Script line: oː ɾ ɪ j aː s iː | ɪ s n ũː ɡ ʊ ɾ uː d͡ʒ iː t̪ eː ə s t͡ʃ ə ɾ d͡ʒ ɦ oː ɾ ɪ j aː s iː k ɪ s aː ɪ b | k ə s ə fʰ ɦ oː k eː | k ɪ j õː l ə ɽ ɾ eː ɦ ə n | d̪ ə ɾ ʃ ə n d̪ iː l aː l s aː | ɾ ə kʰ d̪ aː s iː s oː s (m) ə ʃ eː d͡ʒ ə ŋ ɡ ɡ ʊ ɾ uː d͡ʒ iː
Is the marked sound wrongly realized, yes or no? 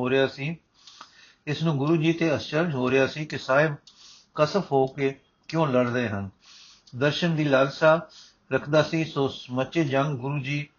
no